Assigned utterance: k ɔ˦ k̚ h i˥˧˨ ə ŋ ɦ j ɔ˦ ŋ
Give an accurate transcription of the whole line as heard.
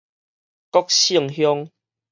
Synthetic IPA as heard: k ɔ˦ k̚ ɕ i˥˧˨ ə ŋ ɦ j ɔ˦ ŋ